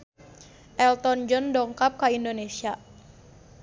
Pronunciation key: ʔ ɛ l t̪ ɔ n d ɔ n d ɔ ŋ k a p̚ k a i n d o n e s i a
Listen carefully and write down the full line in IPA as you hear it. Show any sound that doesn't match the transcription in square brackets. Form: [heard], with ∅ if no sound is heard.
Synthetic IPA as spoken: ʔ ɛ l t̪ ɔ n [d͡ʒ] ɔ n d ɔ ŋ k a p̚ k a i n d o n e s i a